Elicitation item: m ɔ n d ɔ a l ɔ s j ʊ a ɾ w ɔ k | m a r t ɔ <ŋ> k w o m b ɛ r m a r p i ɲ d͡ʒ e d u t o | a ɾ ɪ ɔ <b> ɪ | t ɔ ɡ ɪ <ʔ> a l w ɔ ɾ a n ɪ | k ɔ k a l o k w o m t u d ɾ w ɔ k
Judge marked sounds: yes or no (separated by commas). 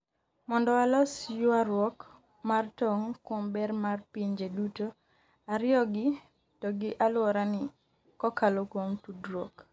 yes, no, yes